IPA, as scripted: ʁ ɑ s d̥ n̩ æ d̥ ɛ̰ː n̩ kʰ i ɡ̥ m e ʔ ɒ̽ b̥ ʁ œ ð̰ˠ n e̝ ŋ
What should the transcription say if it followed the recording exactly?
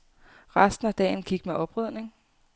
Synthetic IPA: ʁ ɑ s d̥ n̩ æ d̥ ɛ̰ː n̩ kʰ i ɡ̥ m e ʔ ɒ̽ b̥ ʁ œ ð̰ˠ n e̝ ŋ